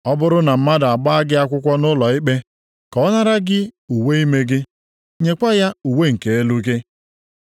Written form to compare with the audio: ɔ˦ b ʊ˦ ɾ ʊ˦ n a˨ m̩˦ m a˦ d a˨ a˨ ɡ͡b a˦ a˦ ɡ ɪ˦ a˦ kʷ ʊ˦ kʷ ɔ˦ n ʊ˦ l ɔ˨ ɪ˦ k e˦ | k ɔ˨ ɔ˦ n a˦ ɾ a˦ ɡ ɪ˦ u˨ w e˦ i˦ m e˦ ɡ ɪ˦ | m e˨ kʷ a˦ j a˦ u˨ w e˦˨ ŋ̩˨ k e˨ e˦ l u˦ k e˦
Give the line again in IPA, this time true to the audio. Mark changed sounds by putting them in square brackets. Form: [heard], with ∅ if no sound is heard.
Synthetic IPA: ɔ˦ b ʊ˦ ɾ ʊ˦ n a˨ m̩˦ m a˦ d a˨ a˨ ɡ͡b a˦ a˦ ɡ ɪ˦ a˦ kʷ ʊ˦ kʷ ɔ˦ n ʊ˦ l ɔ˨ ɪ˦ [k͡p] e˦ | k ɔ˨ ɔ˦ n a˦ ɾ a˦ ɡ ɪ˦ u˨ w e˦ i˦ m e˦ ɡ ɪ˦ | [ɲ] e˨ kʷ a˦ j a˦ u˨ w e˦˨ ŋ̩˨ k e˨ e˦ l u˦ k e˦